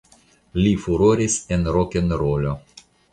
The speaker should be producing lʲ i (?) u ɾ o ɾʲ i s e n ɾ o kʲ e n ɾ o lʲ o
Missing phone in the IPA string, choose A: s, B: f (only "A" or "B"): B